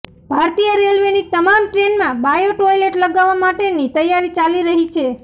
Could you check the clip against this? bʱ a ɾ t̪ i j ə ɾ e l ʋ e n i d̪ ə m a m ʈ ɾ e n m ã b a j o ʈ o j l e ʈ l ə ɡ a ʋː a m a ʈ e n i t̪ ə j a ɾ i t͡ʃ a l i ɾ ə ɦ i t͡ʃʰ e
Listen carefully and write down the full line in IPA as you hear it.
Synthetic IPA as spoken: bʱ a ɾ t̪ i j ə ɾ e l ʋ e n i t̪ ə m a m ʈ ɾ e n m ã b a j o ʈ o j l e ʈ l ə ɡ a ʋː a m a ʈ e n i t̪ ə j a ɾ i t͡ʃ a l i ɾ ə ɦ i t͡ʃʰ e